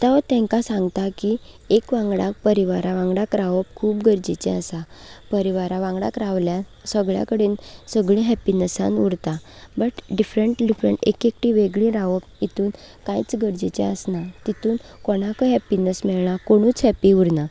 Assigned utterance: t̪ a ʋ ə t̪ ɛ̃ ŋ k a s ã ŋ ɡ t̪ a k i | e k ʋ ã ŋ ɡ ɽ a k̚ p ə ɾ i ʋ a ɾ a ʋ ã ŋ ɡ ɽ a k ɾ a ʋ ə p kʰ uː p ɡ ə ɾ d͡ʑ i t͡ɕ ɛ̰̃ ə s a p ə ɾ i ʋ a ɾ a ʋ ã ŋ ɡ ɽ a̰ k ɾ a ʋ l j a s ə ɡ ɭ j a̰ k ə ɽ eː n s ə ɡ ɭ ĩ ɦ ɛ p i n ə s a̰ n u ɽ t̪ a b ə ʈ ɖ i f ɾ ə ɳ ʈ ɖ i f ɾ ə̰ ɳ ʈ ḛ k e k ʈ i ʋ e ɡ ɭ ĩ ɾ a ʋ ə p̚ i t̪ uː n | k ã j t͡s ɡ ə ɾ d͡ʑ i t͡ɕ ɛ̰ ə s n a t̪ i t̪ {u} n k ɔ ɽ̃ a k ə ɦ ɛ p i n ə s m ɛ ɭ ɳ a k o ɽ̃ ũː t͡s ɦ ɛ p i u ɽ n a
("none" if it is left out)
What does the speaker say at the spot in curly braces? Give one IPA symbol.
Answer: uː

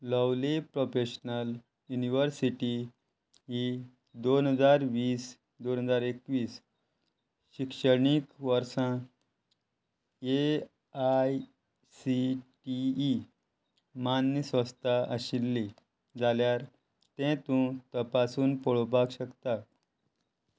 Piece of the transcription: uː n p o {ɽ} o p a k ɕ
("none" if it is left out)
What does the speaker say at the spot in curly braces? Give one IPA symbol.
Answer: ɭ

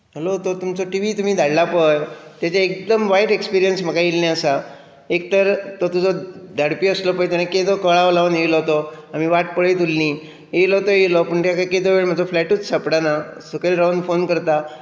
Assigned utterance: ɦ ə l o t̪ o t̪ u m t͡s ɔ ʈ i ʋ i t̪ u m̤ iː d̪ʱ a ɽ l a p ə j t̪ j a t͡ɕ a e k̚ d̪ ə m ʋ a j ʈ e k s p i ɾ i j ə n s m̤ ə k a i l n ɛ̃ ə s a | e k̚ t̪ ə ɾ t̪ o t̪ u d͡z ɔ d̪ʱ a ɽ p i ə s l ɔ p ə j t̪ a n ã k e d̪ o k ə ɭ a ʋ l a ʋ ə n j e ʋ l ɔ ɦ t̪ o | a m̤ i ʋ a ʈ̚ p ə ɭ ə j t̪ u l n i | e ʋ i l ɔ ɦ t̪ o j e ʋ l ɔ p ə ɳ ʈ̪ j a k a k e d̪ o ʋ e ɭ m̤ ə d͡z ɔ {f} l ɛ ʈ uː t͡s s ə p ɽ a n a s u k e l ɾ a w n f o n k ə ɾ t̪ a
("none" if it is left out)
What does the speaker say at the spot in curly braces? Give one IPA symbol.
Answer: f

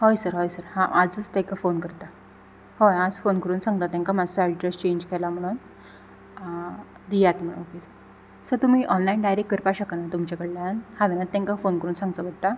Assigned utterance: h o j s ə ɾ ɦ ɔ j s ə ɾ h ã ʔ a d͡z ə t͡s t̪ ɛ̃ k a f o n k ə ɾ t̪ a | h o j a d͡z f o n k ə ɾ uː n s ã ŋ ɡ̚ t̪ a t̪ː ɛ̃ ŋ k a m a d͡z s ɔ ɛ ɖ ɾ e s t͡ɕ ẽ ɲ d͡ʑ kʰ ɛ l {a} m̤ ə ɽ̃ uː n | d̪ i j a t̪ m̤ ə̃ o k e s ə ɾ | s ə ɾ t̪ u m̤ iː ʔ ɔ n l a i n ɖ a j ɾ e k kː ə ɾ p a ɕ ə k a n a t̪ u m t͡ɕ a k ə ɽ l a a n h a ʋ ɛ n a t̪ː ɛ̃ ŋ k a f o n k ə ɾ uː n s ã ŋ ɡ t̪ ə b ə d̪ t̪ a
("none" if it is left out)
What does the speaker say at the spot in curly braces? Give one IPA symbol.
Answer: a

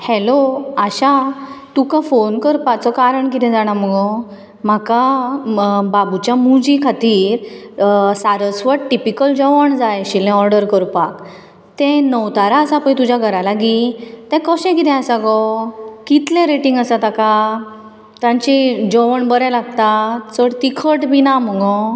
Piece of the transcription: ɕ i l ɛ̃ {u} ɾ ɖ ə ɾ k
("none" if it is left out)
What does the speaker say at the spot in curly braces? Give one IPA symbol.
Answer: ɔ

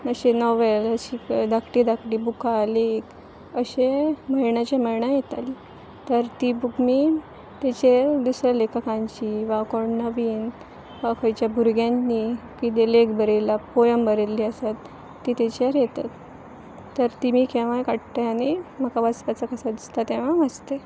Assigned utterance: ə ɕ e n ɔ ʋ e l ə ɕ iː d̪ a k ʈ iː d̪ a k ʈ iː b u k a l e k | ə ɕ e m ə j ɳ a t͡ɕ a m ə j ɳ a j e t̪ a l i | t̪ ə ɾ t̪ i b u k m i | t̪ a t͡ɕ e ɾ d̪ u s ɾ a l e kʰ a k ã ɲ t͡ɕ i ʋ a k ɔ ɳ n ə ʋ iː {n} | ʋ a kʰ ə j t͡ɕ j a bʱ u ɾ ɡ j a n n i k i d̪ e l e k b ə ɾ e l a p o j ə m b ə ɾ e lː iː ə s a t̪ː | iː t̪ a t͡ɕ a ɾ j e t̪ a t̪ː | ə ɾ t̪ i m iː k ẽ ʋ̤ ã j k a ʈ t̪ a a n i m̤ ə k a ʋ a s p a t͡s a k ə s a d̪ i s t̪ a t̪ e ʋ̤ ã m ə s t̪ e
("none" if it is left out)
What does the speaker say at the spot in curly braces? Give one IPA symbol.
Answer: n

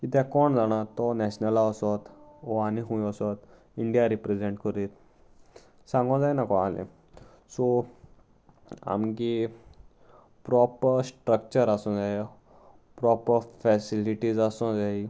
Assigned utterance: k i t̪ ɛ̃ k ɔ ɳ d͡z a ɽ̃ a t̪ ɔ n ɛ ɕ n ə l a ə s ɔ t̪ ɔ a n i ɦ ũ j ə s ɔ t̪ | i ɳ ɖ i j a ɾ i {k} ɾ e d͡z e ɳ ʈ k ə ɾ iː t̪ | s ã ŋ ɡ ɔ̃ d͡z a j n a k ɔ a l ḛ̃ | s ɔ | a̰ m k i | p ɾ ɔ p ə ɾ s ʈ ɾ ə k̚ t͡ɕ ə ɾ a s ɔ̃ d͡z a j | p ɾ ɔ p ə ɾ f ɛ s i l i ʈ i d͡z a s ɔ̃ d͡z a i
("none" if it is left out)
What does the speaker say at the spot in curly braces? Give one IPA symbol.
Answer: p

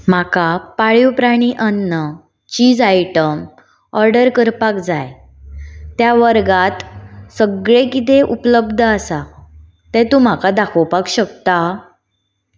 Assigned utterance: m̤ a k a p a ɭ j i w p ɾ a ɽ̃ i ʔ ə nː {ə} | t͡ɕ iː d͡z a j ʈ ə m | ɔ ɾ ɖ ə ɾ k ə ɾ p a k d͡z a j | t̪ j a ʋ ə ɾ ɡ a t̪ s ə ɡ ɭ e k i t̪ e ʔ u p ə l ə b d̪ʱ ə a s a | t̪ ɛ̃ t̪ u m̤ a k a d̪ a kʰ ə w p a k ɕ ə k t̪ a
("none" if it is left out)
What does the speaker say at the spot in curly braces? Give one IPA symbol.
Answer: ə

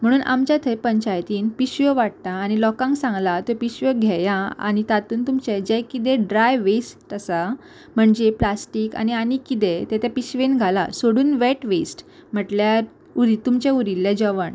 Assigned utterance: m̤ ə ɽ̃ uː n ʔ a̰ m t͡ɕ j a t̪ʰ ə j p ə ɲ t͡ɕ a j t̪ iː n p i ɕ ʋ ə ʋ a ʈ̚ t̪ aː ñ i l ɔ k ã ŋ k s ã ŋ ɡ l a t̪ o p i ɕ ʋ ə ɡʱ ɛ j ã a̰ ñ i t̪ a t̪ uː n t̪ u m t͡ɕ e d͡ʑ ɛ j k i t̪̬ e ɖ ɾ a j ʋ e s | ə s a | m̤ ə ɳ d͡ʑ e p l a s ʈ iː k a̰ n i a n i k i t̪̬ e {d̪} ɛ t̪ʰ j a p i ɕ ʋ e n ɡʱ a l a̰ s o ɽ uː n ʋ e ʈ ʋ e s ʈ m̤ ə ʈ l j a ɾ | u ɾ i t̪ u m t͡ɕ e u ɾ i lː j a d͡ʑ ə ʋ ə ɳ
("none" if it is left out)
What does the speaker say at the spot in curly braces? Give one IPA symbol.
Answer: t̪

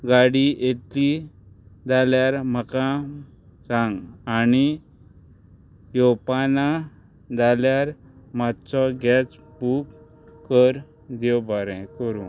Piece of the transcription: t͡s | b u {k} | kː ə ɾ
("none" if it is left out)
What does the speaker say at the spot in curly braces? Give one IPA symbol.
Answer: k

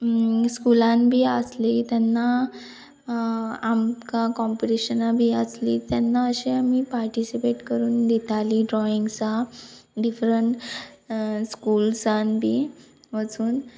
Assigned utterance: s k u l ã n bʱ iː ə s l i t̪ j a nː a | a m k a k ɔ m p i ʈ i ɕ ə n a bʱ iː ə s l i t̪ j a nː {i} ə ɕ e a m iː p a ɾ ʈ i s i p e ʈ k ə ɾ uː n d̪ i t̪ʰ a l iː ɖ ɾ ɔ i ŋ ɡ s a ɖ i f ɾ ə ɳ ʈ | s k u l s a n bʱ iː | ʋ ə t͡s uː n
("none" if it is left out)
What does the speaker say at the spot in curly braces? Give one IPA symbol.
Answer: a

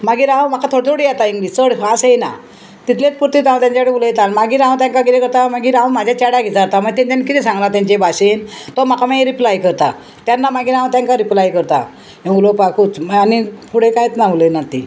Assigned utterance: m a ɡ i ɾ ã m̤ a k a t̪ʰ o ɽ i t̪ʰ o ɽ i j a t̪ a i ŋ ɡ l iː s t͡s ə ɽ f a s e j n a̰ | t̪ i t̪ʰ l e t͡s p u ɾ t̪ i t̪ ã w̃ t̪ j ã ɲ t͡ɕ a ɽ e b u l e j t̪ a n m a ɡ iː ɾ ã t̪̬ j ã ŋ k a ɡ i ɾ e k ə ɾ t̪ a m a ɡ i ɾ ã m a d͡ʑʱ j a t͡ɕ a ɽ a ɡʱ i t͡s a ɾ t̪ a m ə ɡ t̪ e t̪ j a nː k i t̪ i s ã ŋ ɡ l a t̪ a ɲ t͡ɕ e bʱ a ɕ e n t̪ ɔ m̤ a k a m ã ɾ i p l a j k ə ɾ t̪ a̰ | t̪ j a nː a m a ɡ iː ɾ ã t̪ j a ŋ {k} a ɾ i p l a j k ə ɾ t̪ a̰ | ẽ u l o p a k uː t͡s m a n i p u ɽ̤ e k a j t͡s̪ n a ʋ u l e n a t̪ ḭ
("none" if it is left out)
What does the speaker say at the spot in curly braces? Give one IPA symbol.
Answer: k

